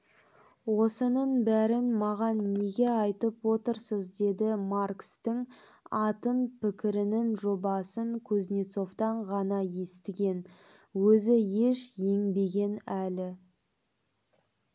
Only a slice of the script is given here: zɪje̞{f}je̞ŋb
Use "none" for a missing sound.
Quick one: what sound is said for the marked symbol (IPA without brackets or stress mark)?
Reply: ʃ